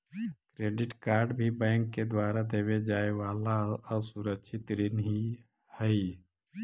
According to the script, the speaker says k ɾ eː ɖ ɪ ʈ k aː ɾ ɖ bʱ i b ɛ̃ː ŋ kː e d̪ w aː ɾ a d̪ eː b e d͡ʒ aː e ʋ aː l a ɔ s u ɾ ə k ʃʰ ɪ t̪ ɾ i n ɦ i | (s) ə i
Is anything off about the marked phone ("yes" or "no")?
yes